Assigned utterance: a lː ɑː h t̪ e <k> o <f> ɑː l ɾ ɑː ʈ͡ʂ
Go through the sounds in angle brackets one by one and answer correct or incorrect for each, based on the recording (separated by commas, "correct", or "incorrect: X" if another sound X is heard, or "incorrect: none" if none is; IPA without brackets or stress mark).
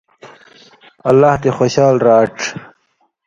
incorrect: x, incorrect: ɕ